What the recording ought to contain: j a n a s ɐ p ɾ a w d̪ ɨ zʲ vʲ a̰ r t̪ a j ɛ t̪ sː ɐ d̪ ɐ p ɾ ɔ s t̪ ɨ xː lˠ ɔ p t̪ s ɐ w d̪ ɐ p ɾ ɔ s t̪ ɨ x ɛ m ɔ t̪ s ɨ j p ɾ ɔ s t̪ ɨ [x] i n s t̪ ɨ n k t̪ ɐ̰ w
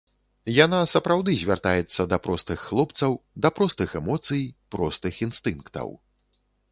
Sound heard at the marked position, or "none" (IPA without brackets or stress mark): x